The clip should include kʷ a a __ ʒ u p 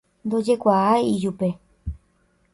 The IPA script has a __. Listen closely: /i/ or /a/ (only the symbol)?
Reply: i